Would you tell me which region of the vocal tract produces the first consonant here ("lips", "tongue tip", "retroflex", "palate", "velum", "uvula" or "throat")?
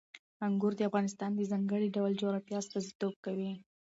velum